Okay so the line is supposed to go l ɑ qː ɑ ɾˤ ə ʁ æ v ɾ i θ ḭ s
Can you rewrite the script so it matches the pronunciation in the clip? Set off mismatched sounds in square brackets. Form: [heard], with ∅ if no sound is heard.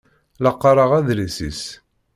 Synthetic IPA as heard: l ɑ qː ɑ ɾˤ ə ʁ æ [ð] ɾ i [s] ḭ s